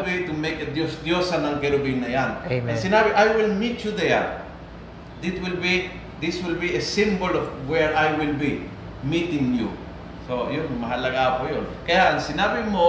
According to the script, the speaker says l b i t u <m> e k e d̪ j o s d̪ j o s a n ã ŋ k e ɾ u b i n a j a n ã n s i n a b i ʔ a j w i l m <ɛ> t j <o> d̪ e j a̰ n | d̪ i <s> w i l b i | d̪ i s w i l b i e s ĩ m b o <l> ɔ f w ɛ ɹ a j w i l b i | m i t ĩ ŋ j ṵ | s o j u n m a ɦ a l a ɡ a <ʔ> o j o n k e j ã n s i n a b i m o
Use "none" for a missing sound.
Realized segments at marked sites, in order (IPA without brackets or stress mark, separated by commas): m, i, u, t, l, p